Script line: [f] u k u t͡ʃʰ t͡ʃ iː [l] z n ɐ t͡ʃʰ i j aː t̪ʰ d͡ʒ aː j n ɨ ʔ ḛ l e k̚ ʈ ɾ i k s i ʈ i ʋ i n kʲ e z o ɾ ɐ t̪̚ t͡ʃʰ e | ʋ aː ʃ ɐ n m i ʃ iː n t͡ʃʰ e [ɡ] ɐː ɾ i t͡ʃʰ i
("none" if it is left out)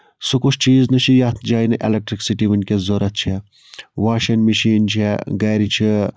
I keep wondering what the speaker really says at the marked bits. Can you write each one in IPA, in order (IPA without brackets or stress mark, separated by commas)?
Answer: s, none, ɡ